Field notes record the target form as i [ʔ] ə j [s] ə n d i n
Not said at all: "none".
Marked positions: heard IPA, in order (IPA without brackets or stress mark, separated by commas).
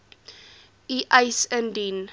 ʔ, s